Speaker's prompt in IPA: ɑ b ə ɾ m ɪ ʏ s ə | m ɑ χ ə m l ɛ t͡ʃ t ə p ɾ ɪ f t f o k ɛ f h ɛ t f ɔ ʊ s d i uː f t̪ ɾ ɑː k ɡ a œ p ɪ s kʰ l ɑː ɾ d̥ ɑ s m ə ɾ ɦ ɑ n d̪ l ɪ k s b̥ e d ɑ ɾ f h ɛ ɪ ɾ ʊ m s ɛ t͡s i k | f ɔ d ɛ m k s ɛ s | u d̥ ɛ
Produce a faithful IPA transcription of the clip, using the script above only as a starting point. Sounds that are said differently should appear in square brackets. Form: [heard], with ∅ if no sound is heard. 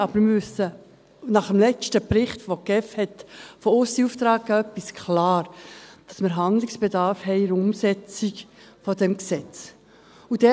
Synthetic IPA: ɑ b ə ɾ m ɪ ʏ s ə | [n] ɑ χ ə m l ɛ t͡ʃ t ə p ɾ ɪ [χ] t f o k ɛ f h ɛ t f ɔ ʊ s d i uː f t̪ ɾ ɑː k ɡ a œ p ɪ s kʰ l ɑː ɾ d̥ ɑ s m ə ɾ ɦ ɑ n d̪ l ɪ k s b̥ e d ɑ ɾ f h ɛ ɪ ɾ ʊ m s ɛ t͡s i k | f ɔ d ɛ m k s ɛ [t͡s] | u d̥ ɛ